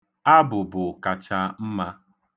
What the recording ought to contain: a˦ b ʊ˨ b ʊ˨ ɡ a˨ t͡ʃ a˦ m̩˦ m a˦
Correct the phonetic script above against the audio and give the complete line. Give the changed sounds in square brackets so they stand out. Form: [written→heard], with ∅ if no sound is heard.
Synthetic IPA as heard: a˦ b ʊ˨ b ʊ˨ [ɡ→k] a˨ t͡ʃ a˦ m̩˦ m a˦